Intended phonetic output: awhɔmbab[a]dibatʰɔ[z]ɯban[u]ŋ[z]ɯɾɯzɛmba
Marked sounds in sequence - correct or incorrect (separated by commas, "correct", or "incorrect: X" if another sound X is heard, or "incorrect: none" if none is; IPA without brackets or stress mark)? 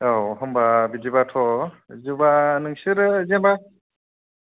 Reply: incorrect: i, correct, incorrect: ɯ, incorrect: s